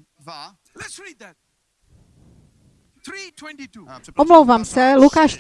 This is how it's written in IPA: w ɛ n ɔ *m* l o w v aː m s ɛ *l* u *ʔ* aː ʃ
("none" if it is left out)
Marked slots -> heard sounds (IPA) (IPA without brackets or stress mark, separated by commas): m, l, k